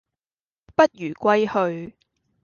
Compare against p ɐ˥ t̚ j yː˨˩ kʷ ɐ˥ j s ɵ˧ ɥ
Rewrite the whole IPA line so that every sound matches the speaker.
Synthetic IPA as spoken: p ɐ˥ t̚ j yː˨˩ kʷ ɐ˥ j h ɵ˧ ɥ